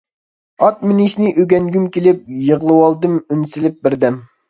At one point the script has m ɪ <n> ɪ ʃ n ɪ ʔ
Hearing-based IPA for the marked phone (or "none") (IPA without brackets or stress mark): n